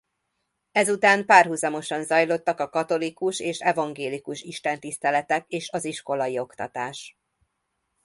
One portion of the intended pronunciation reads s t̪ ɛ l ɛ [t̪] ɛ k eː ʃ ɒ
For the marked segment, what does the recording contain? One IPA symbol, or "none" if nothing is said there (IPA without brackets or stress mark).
t̪